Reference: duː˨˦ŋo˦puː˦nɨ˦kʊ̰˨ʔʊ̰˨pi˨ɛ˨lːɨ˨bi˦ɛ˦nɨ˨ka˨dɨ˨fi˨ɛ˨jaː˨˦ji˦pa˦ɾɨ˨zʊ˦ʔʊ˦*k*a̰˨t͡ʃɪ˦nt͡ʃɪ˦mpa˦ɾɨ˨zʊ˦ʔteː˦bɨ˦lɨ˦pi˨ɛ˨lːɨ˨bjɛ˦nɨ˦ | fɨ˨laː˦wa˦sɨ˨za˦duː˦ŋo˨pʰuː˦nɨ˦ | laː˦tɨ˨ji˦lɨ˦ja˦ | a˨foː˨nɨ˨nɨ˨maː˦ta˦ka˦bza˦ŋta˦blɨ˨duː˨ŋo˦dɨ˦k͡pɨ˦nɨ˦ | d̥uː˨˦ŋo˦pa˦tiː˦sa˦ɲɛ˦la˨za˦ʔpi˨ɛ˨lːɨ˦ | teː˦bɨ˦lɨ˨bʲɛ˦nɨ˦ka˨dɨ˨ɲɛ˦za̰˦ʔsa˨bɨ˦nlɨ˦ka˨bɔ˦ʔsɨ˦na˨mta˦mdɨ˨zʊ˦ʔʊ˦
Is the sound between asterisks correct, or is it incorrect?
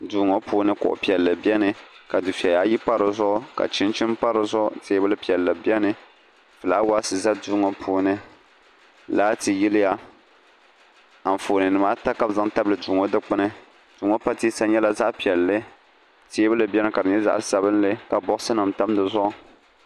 correct